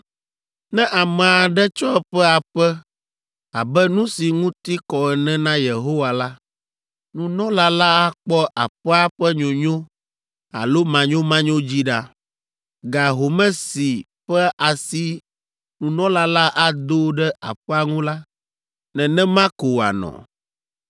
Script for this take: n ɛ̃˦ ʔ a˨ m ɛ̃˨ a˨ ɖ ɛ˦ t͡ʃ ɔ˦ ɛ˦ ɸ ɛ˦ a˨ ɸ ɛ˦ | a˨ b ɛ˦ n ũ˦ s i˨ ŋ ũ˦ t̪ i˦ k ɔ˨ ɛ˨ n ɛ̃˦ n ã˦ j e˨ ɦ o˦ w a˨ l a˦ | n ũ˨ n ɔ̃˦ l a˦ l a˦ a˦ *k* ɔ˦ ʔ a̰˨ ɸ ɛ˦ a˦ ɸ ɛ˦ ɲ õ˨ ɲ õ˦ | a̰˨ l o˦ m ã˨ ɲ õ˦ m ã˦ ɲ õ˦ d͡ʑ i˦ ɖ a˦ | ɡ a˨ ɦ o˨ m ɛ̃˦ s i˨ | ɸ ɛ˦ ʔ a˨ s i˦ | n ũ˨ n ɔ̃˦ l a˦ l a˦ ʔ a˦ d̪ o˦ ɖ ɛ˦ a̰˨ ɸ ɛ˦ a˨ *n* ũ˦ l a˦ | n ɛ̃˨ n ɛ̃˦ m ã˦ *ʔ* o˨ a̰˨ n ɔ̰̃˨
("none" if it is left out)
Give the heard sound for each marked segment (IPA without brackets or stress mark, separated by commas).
k͡p, ŋ, k